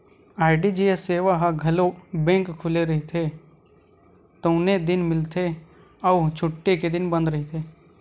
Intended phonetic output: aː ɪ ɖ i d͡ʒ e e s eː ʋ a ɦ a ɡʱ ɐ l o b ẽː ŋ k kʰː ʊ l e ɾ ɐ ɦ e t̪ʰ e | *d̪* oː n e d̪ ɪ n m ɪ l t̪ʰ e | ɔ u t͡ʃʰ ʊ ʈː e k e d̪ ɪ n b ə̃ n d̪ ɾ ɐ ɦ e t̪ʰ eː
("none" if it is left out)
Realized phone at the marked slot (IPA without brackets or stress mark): t̪